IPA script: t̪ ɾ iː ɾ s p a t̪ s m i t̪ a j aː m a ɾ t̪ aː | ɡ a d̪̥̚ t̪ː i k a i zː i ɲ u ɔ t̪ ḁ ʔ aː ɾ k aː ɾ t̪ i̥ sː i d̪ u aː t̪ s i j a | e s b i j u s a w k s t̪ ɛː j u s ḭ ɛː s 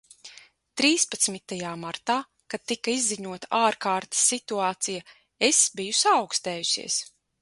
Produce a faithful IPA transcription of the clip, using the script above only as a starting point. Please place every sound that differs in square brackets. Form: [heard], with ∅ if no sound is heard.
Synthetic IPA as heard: t̪ ɾ iː [∅] s p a t̪ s m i t̪ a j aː m a ɾ t̪ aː | [k] a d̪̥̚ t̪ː i k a i zː i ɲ u ɔ t̪ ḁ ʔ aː ɾ k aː ɾ t̪ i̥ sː i [t̪] u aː t̪ s i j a | e s b i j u s a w k s t̪ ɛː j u s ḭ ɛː s